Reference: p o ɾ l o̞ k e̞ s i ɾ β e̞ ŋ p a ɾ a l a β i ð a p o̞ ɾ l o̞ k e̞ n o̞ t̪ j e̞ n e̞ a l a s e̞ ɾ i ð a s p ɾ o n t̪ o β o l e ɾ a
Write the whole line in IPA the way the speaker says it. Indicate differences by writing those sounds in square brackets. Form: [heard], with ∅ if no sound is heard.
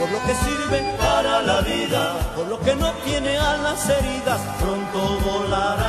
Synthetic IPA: p o ɾ l o̞ k e̞ s i ɾ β e̞ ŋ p a ɾ a l a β i ð a p o̞ ɾ l o̞ k e̞ n o̞ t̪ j e̞ n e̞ a l a s e̞ ɾ i ð a s p ɾ o n t̪ o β o l [a] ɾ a